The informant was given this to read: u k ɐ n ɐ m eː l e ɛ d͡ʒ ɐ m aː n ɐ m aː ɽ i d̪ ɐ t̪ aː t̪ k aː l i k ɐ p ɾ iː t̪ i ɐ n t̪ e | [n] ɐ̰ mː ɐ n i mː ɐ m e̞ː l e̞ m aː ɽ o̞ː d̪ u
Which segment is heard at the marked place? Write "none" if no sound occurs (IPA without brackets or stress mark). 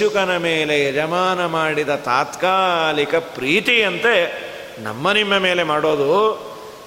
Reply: n